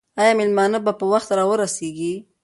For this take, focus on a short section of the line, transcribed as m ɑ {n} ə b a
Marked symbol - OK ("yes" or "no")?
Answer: yes